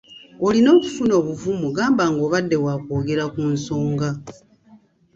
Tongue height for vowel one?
mid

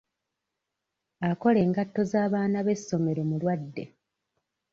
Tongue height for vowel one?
low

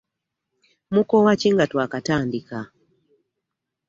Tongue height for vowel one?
high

